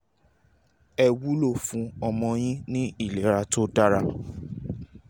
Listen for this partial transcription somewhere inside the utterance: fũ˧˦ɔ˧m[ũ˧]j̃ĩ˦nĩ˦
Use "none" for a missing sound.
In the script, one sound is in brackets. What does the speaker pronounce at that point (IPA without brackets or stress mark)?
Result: ɔ̃˧